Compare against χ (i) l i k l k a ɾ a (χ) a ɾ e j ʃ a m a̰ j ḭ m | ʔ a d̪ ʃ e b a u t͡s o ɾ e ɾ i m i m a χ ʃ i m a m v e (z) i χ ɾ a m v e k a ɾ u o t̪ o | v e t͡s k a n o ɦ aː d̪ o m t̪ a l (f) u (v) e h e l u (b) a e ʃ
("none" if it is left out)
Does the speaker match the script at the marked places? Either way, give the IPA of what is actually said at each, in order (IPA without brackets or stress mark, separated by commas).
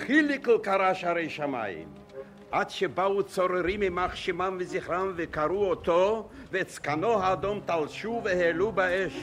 i, ʃ, z, ʃ, v, b